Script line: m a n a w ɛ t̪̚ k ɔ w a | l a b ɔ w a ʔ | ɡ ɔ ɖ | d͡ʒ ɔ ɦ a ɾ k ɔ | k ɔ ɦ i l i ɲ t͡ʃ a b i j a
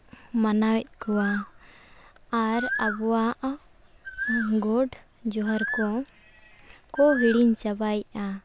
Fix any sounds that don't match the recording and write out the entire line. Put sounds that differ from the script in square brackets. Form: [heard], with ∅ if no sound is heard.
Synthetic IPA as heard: m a n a w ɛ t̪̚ k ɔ w a | [ɾ] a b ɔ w a ʔ | ɡ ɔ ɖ | d͡ʒ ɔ ɦ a ɾ k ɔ | k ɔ ɦ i [ɽ] i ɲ t͡ʃ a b [a] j a